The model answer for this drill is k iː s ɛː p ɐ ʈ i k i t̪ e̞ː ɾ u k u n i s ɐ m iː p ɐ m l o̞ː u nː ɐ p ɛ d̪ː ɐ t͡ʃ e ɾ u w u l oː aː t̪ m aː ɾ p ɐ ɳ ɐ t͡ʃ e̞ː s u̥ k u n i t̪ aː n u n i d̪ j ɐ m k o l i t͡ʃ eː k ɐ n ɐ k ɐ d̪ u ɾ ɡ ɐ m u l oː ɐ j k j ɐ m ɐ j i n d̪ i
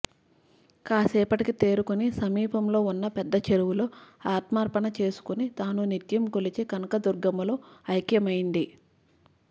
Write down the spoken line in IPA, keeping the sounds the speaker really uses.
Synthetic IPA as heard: k aː s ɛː p ɐ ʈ i k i t̪ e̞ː ɾ u k u n i s ɐ m iː p ɐ m l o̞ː u nː ɐ p ɛ d̪ː ɐ t͡ʃ e ɾ u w u l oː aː t̪ m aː ɾ p ɐ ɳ ɐ t͡ʃ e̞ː s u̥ k u n i t̪ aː n u n i t̪ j ɐ m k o l i t͡ʃ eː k ɐ n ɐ k ɐ d̪ u ɾ ɡ ɐ m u l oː ɐ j k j ɐ m ɐ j i n d̪ i